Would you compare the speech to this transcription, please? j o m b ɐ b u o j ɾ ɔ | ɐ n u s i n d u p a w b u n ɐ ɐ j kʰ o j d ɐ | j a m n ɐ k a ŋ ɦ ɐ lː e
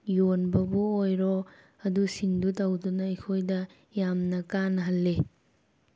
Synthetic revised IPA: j o n b ɐ b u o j ɾ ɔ | ɐ d u s i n d u t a w d u n ɐ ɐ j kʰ o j d ɐ | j a m n ɐ k a n ɦ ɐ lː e